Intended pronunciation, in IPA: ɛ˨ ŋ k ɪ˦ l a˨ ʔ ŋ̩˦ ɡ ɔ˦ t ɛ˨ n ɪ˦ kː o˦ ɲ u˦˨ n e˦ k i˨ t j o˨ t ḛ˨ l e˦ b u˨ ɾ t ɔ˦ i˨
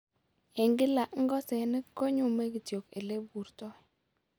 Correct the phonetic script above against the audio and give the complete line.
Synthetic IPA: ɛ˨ ŋ ɡ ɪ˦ l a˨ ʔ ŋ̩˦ ɡ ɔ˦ s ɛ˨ n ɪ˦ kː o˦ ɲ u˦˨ m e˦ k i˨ t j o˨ k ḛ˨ l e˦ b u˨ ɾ t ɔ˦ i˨